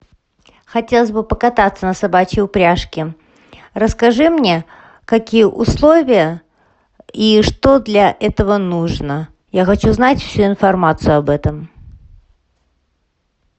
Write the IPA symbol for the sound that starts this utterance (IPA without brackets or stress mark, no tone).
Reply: x